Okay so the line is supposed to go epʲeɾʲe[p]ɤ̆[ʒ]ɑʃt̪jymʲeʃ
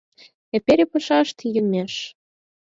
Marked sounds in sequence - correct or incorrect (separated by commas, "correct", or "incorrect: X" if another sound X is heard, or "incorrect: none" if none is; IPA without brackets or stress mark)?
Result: correct, incorrect: ʃ